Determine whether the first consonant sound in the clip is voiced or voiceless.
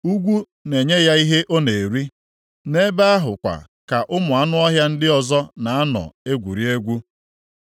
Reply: voiced